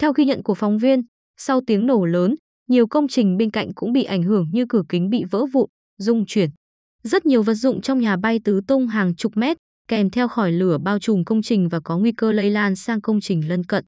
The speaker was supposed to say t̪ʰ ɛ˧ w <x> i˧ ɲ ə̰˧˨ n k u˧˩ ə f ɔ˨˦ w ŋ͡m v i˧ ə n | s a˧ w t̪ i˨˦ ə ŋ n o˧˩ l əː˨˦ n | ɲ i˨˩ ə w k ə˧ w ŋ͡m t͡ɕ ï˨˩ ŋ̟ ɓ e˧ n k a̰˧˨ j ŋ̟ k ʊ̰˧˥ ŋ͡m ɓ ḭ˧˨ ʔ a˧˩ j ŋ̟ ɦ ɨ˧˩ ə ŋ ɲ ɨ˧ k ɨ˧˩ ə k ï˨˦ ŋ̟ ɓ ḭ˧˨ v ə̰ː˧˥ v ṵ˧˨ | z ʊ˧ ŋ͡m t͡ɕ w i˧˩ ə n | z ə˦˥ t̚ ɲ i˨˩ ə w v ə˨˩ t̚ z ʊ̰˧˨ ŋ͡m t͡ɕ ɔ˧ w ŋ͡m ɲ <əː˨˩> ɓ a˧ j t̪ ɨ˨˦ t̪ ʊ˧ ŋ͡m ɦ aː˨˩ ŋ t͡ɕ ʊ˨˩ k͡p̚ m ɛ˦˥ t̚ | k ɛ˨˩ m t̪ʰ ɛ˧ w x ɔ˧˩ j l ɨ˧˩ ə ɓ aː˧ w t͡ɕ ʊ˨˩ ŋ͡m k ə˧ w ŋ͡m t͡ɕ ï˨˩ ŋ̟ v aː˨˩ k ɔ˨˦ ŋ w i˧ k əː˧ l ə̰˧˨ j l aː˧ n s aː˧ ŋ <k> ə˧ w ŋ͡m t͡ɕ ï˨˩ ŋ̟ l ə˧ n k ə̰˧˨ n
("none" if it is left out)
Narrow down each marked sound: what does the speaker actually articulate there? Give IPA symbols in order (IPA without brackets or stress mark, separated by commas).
x, aː˨˩, k